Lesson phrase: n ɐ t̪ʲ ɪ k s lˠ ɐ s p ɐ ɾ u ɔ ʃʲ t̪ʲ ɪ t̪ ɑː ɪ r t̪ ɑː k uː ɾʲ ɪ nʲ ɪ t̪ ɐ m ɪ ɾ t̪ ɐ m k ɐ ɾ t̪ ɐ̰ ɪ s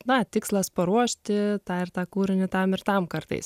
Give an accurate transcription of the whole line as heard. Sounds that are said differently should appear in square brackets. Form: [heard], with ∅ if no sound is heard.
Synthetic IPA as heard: n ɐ t̪ʲ ɪ k s lˠ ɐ s p ɐ ɾ u ɔ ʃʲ t̪ʲ ɪ t̪ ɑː ɪ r t̪ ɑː k uː ɾʲ ɪ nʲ ɪ t̪ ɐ m ɪ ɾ t̪ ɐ m k ɐ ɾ t̪ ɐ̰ ɪ s

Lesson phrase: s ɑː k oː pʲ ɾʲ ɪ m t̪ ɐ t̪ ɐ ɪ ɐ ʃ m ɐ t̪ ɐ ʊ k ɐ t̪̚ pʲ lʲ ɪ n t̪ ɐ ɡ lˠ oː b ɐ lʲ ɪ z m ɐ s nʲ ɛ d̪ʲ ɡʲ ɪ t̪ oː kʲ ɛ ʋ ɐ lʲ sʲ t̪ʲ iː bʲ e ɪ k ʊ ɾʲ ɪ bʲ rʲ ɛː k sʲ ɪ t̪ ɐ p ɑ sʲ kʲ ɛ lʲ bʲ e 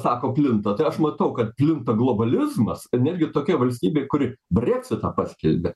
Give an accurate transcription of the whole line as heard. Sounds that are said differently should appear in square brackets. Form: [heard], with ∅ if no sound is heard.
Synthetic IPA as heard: s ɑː k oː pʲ [lʲ] ɪ [n] t̪ ɐ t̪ ɐ ɪ ɐ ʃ m ɐ t̪ ɐ ʊ k ɐ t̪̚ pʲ lʲ ɪ n t̪ ɐ ɡ lˠ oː b ɐ lʲ ɪ z m ɐ s nʲ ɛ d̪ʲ ɡʲ ɪ t̪ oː kʲ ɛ ʋ ɐ lʲ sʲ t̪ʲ iː bʲ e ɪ k ʊ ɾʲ ɪ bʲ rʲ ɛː k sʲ ɪ t̪ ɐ p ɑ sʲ kʲ ɛ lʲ bʲ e

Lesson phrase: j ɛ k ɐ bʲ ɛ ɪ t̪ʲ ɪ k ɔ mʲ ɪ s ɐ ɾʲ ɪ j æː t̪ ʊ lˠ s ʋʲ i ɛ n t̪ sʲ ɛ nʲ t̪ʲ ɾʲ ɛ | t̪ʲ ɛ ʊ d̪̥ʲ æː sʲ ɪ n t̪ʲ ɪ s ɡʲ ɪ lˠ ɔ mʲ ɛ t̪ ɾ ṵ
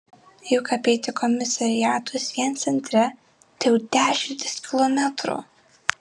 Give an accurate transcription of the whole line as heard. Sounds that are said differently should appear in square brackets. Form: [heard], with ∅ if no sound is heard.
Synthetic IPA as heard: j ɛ k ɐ [pʲ] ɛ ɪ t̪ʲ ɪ k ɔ mʲ ɪ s ɐ ɾʲ ɪ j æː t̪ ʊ [∅] s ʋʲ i ɛ n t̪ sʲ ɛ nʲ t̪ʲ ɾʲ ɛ | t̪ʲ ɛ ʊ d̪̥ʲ æː [ʃʲ] ɪ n t̪ʲ ɪ s [kʲ] ɪ lˠ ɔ mʲ ɛ t̪ ɾ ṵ

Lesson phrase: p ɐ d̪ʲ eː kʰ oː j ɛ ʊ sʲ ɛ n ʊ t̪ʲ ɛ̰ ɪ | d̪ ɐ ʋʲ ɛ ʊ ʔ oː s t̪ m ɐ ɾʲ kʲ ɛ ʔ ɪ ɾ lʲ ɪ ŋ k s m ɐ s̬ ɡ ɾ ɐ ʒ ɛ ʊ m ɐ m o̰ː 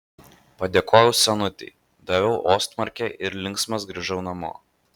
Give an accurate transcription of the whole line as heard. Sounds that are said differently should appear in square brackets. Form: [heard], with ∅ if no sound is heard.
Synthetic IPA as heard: p ɐ d̪ʲ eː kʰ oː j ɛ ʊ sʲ ɛ n ʊ t̪ʲ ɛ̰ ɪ | d̪ ɐ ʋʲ ɛ ʊ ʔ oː s t̪ m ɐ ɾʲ kʲ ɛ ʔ ɪ ɾ lʲ ɪ ŋ k s m ɐ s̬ ɡ ɾ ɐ ʒ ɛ ʊ [n] ɐ m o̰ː

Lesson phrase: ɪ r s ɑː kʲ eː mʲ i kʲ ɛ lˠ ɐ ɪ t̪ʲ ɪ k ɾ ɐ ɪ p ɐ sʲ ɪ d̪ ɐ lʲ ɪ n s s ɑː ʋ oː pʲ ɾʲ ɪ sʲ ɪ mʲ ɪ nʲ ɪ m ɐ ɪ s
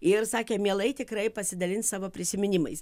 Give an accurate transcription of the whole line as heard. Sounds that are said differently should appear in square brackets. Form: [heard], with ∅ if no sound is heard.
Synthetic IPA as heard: ɪ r s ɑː kʲ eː mʲ i [∅] ɛ lˠ ɐ ɪ t̪ʲ ɪ k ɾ ɐ ɪ p ɐ sʲ ɪ d̪ ɐ lʲ ɪ n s s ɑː ʋ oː pʲ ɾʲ ɪ sʲ ɪ mʲ ɪ nʲ ɪ m ɐ ɪ s

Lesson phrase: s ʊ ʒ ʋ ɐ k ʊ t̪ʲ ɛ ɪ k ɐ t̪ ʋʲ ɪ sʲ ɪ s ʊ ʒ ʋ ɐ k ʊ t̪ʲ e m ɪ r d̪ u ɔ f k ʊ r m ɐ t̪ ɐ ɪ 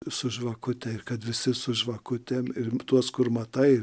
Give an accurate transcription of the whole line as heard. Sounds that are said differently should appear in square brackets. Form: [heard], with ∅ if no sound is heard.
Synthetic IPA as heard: s ʊ ʒ ʋ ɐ k ʊ t̪ʲ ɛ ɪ k ɐ t̪ ʋʲ ɪ sʲ ɪ s ʊ ʒ ʋ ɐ k ʊ t̪ʲ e m ɪ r [t̪] u ɔ [s] k ʊ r m ɐ t̪ ɐ ɪ

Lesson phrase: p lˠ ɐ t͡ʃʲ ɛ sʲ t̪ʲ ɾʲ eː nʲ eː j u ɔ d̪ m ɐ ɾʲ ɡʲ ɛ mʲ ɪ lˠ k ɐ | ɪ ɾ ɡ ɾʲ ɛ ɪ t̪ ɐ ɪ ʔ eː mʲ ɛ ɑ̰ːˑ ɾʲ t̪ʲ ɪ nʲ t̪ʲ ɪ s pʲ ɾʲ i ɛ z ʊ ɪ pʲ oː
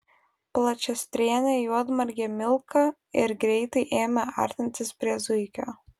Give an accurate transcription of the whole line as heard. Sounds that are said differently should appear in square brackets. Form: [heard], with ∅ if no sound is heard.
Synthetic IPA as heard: p lˠ ɐ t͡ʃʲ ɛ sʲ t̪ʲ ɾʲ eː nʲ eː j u ɔ d̪ m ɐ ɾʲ ɡʲ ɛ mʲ ɪ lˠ k ɐ | ɪ ɾ ɡ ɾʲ ɛ ɪ t̪ ɐ ɪ ʔ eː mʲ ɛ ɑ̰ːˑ ɾʲ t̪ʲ ɪ nʲ t̪ʲ ɪ s pʲ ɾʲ i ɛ z ʊ ɪ [kʲ] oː

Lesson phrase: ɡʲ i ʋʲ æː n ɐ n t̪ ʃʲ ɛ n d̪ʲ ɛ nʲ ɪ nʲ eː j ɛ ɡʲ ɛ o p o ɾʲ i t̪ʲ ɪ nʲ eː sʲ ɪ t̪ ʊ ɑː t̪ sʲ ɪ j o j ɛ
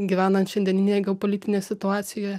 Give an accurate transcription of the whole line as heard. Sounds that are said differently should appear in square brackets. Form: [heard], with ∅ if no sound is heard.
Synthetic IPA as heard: ɡʲ i ʋʲ æː n ɐ n t̪ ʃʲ ɛ n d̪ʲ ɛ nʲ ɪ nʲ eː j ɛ ɡʲ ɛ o p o [lʲ] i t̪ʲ ɪ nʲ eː sʲ ɪ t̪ ʊ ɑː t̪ sʲ ɪ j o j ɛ

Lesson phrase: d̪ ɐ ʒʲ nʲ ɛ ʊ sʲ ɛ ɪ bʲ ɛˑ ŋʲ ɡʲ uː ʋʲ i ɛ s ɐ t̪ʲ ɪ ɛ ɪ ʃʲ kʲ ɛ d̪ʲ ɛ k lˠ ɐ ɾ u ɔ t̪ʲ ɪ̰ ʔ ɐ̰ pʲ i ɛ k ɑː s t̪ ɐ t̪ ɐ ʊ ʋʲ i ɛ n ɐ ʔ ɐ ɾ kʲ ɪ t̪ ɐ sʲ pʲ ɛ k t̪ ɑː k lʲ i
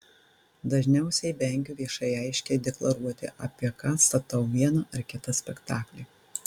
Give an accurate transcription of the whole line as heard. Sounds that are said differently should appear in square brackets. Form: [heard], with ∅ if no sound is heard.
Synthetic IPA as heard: d̪ ɐ ʒʲ nʲ ɛ ʊ sʲ ɛ ɪ bʲ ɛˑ ŋʲ ɡʲ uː ʋʲ i ɛ [ʃ] ɐ [∅] ɪ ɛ ɪ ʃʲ kʲ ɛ d̪ʲ ɛ k lˠ ɐ ɾ u ɔ t̪ʲ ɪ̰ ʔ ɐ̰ pʲ i ɛ k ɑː s t̪ ɐ t̪ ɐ ʊ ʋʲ i ɛ n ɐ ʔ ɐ ɾ kʲ ɪ t̪ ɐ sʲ pʲ ɛ k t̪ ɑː k lʲ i

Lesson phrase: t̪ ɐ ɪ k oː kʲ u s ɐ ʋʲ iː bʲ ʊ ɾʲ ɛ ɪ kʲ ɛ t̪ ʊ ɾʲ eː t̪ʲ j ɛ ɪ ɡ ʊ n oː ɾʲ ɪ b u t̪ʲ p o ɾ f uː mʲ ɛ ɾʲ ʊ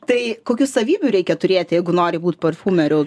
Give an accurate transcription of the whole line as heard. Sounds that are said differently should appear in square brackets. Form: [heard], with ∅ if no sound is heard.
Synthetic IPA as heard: t̪ ɐ ɪ k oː kʲ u s ɐ ʋʲ iː bʲ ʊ ɾʲ ɛ ɪ kʲ ɛ t̪ ʊ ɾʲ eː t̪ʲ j ɛ ɪ ɡ ʊ n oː ɾʲ ɪ b [uː] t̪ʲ p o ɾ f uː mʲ ɛ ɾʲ ʊ

